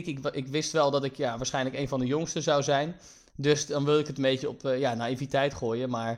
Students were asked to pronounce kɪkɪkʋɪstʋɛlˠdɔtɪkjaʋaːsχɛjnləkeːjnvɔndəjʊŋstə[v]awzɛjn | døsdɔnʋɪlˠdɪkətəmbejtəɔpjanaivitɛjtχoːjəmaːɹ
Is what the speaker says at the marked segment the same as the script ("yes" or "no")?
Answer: no